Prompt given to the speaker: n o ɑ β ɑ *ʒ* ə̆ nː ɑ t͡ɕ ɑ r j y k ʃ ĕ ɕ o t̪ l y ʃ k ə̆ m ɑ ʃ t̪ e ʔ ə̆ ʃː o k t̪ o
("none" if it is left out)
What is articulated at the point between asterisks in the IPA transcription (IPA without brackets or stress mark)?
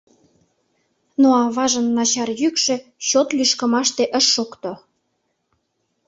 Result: ʒ